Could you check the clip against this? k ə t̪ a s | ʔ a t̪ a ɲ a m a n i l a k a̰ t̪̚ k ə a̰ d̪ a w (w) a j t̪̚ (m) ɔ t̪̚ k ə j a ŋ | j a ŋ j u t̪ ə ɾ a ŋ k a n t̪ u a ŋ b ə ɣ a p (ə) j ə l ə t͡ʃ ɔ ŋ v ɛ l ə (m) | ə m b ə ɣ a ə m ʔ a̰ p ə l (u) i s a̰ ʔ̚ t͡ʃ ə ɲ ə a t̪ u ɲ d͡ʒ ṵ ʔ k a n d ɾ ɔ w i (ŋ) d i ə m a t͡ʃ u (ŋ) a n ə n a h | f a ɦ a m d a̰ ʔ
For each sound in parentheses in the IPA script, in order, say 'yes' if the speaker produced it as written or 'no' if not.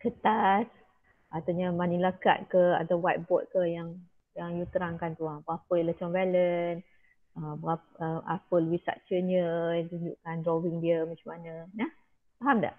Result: yes, no, yes, no, no, yes, no

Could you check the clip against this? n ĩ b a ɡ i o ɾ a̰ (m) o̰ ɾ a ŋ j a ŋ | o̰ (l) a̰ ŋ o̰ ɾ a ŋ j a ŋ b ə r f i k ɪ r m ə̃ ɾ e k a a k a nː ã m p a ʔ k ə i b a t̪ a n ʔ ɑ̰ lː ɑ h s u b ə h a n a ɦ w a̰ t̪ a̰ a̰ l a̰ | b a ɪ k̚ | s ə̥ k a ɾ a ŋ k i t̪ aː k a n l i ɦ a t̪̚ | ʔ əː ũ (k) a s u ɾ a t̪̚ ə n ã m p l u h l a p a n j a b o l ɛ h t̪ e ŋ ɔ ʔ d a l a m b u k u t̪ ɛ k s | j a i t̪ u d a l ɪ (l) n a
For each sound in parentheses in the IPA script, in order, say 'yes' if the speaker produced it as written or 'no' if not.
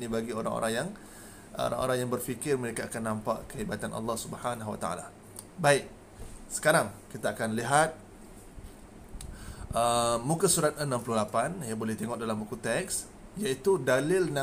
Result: no, no, yes, yes

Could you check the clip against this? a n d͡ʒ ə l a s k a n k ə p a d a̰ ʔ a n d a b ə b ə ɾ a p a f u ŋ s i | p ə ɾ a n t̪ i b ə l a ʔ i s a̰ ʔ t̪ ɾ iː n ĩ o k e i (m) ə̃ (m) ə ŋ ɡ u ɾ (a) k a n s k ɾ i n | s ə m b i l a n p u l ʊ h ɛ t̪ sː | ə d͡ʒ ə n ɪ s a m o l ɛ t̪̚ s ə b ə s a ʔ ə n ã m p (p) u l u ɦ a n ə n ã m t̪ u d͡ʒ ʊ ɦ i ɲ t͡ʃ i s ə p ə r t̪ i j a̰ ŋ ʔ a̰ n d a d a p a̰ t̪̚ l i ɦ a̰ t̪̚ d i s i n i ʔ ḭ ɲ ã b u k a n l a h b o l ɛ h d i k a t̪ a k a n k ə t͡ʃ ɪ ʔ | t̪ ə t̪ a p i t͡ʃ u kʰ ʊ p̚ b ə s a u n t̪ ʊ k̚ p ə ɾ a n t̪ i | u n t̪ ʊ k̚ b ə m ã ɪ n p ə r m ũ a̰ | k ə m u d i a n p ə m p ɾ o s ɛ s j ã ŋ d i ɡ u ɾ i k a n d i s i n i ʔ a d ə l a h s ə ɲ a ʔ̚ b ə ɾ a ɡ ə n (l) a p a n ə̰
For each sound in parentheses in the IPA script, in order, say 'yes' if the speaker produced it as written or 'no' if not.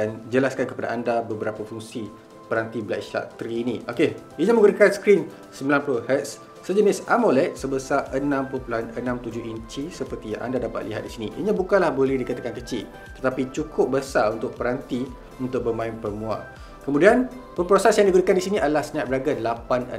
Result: no, yes, no, yes, yes

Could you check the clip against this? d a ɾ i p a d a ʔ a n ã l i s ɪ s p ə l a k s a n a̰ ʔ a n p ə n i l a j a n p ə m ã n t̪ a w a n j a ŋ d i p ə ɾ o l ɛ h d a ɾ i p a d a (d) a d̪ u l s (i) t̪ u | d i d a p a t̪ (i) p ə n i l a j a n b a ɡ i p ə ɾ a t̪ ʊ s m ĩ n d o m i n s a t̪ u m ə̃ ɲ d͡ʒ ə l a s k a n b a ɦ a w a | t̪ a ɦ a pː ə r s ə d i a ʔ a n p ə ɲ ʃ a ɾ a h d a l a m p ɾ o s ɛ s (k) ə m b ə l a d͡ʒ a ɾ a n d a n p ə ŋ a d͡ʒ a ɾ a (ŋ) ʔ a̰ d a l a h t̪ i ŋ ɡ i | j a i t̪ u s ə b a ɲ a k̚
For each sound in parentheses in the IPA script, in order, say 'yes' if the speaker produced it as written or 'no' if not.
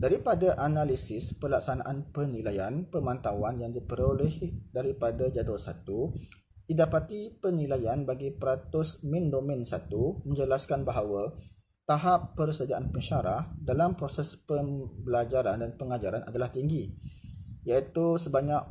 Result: no, no, yes, no, no

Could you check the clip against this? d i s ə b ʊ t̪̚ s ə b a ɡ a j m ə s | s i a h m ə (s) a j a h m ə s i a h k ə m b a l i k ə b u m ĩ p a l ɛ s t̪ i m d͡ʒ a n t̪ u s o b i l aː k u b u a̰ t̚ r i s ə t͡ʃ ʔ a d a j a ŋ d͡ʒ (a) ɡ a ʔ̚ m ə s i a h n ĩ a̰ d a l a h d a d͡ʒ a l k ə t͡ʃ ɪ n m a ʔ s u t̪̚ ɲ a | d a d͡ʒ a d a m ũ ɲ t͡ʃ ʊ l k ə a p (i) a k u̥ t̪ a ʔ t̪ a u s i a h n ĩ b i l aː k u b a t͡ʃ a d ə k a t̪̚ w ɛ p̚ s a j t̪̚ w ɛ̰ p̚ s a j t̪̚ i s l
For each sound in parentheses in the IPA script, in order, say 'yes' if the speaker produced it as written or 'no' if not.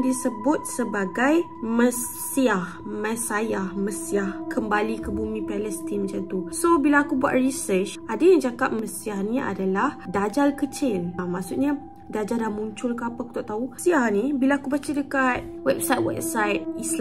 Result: yes, yes, no

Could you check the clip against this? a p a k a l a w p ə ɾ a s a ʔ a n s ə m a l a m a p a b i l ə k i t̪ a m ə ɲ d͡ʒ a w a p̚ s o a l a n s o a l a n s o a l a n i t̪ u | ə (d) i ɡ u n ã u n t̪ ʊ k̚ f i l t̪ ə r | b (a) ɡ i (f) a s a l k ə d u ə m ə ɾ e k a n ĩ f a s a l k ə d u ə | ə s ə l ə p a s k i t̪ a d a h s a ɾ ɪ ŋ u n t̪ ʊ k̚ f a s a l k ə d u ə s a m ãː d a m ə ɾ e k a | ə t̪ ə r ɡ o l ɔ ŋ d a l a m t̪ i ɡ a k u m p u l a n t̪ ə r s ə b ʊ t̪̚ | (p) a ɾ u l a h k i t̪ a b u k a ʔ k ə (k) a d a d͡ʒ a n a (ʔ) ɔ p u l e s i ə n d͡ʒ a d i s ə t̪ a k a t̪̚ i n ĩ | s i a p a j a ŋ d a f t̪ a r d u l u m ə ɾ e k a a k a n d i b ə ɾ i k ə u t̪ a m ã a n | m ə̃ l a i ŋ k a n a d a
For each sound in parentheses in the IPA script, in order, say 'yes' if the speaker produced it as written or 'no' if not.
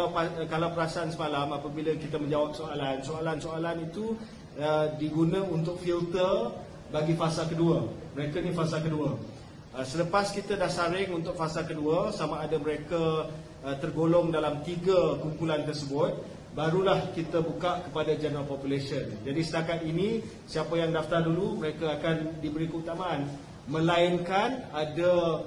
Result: yes, yes, yes, no, no, no

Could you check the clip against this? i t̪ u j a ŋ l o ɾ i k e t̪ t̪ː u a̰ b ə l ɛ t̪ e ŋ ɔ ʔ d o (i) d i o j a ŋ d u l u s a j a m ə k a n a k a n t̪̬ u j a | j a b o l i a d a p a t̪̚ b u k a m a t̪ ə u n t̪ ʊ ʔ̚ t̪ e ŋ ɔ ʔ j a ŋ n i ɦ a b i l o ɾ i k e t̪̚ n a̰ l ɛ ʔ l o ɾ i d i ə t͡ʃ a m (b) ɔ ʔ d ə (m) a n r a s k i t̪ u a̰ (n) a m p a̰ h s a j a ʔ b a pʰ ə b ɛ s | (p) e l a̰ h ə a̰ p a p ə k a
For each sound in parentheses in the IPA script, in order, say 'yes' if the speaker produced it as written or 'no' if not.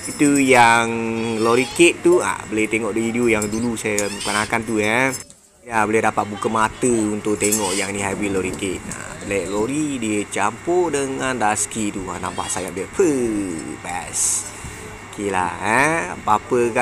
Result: yes, no, no, yes, no

